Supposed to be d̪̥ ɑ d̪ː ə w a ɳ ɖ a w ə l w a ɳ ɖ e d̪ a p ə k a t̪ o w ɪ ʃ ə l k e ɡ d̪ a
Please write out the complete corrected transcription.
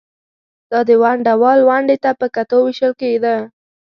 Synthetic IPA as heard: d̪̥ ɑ d̪ ə w a ɳ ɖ a w ɑ l w a ɳ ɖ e t̪ a p ə k a t̪ o w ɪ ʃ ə l k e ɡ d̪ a